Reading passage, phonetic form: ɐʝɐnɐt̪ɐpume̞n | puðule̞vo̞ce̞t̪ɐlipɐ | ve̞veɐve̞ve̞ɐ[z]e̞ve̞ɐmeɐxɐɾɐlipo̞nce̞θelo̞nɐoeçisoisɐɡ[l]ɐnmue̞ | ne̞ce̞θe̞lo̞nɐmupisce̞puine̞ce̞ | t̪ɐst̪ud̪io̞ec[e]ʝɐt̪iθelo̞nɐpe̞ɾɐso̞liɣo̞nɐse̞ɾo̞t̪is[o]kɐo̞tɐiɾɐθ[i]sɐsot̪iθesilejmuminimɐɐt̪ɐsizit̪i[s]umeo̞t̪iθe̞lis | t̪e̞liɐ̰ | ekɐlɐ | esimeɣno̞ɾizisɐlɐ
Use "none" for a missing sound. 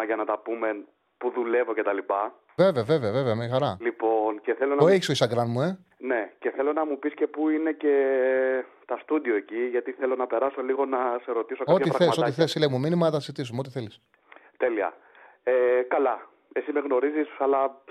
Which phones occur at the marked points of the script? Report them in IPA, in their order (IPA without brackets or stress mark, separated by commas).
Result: v, ɾ, i, o, e, s